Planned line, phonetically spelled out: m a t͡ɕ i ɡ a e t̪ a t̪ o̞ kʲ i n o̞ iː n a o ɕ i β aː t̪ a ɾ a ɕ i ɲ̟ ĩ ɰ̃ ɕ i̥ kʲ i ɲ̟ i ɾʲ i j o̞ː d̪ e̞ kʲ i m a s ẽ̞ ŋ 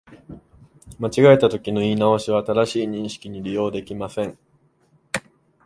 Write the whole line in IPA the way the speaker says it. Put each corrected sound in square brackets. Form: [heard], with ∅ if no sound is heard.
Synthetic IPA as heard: m a t͡ɕ i ɡ a e t̪ a t̪ o̞ kʲ i n o̞ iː n a o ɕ i β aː t̪ a ɾ a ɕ [iː] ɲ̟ ĩ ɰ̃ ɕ i̥ kʲ i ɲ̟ i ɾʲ i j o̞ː d̪ e̞ kʲ i m a s ẽ̞ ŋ